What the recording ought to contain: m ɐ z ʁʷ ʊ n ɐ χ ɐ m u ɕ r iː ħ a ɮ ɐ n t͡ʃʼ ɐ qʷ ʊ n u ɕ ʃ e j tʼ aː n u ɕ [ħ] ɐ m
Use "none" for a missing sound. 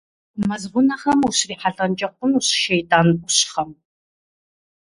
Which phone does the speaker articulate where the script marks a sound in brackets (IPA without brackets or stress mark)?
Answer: χ